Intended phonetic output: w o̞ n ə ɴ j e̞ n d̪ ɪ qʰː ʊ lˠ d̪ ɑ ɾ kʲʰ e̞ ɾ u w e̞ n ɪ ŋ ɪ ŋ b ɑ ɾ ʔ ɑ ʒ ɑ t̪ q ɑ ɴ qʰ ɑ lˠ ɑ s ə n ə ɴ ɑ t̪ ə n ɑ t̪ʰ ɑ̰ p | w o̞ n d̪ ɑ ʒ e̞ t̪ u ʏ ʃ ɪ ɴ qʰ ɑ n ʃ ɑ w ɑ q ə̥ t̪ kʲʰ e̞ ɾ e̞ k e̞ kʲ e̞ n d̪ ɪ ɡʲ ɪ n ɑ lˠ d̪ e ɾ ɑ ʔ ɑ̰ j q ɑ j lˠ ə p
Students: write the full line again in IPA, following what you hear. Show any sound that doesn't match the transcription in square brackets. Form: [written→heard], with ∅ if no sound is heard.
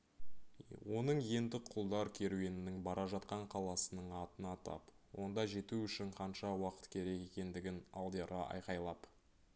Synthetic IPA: w o̞ n ə ɴ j e̞ n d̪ ɪ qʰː ʊ lˠ d̪ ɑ ɾ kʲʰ e̞ ɾ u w e̞ n ɪ [ŋ→n] ɪ ŋ b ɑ ɾ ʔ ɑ ʒ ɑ t̪ q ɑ ɴ qʰ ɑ lˠ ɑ s ə n ə ɴ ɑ t̪ ə n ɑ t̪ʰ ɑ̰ p | w o̞ n d̪ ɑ ʒ e̞ t̪ u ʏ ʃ ɪ ɴ qʰ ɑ n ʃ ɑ w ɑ q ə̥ t̪ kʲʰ e̞ ɾ e̞ k e̞ kʲ e̞ n d̪ ɪ ɡʲ ɪ n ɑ lˠ d̪ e ɾ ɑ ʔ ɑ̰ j q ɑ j lˠ [ə→ɑ] p